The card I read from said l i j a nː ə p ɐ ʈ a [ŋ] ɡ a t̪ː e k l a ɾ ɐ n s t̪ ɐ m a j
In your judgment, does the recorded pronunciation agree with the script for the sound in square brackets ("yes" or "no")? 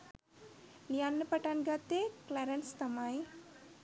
no